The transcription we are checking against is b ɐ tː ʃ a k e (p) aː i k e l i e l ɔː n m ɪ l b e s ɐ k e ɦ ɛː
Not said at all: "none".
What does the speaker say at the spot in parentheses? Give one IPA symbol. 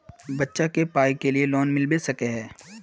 p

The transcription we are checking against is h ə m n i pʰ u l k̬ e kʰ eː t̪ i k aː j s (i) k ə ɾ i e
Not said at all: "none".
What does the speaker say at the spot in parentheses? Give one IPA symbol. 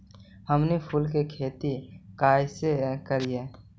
e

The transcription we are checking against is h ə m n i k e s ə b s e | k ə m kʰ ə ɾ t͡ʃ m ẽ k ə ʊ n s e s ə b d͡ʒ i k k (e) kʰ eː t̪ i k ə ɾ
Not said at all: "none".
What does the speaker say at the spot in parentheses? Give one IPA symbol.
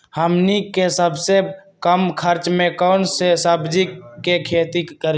e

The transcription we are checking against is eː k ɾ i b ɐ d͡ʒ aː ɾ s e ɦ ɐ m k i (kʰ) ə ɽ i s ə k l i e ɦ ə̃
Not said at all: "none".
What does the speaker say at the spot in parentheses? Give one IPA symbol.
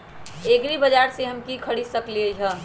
kʰ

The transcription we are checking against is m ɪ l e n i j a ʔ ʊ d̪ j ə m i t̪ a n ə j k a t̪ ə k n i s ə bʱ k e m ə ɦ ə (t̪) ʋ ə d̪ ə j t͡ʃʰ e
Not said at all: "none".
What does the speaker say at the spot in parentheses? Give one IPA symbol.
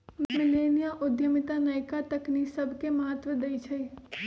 t̪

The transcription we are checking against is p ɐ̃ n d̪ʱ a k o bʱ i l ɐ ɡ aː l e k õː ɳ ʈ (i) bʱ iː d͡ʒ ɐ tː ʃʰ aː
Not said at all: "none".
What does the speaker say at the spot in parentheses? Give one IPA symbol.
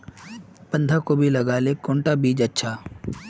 a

